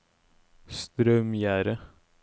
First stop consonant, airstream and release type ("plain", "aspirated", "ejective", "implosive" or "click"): plain